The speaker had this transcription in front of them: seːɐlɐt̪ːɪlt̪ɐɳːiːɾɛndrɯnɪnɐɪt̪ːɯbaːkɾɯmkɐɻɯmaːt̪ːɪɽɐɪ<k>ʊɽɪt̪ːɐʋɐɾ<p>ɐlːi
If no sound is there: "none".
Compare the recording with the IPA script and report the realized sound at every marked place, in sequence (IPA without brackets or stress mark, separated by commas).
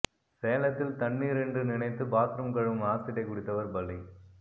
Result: k, b